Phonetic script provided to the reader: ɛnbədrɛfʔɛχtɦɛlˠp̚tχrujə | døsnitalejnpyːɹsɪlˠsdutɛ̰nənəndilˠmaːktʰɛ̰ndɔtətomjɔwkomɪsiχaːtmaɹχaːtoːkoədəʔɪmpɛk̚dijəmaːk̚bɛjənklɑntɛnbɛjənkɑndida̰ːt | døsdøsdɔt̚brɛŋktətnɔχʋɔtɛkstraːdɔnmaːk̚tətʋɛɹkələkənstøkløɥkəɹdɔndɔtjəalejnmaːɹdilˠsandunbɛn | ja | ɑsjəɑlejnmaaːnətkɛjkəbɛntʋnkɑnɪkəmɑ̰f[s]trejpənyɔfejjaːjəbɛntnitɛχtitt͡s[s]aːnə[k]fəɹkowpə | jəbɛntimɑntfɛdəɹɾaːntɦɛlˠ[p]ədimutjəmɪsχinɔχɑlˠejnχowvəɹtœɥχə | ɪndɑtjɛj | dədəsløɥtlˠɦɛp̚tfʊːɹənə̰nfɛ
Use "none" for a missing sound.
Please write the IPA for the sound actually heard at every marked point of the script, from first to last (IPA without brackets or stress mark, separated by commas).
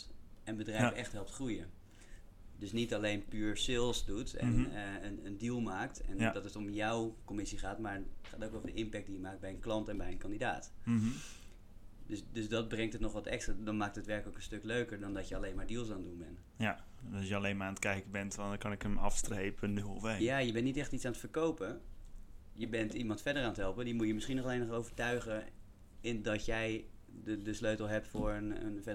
s, s, t, p